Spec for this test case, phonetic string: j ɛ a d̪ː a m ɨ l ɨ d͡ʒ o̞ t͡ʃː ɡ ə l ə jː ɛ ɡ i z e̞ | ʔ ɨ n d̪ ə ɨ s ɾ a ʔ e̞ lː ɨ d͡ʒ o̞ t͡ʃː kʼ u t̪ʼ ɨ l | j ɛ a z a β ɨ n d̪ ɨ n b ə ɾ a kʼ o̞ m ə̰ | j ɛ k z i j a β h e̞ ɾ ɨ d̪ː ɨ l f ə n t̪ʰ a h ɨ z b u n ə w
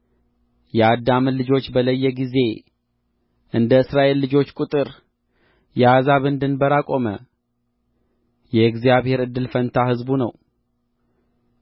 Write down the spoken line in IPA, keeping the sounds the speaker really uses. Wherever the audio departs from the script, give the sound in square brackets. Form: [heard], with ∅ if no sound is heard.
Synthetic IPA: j ɛ a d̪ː a m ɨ l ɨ d͡ʒ o̞ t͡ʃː [b] ə l ə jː ɛ ɡ i z e̞ | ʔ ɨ n d̪ ə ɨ s ɾ a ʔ e̞ lː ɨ d͡ʒ o̞ t͡ʃː kʼ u t̪ʼ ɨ [ɾ] | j ɛ a z a β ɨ n d̪ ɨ n b ə ɾ a kʼ o̞ m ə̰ | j ɛ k z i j a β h e̞ ɾ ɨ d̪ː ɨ l f ə n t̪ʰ a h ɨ z b u n ə w